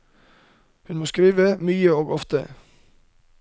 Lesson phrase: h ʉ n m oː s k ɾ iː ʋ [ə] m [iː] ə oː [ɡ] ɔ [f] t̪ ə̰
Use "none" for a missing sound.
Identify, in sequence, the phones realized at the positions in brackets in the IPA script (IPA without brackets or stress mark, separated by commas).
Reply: ə, yː, ɡ, f